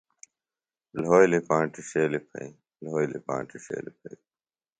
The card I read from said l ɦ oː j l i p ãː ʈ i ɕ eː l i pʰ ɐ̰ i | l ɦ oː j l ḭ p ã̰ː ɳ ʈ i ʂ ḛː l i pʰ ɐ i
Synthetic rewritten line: l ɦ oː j l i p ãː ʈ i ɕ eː l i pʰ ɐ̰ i | l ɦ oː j l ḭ p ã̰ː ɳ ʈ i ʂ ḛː l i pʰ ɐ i